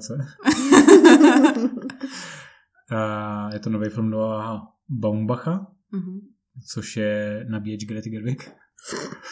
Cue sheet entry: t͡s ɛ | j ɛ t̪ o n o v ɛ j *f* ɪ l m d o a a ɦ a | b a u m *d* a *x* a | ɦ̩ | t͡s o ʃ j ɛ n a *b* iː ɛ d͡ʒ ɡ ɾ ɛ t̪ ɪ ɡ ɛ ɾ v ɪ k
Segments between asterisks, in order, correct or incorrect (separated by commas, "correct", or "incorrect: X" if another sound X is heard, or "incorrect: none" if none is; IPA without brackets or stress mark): correct, incorrect: b, correct, correct